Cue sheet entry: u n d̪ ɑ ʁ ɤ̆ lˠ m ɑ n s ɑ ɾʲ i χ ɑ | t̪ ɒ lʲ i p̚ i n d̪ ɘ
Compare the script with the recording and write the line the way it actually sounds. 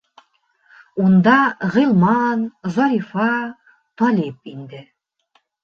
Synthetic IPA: u n d̪ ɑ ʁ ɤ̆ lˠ m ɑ n z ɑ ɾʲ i f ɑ | t̪ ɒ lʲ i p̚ i n d̪ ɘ